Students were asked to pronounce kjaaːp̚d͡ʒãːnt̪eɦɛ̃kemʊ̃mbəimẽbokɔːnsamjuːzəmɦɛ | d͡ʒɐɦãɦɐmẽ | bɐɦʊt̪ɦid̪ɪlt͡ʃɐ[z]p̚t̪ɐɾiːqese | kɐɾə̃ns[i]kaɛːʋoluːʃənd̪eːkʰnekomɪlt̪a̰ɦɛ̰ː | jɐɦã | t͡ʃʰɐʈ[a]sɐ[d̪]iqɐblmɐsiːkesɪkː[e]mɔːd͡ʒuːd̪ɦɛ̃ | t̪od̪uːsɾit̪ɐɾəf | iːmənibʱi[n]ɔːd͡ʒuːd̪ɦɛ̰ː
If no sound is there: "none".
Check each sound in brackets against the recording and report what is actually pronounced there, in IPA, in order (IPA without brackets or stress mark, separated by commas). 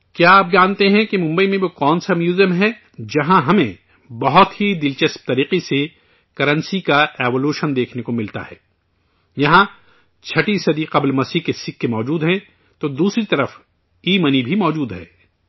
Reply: s, i, i, d̪, e, m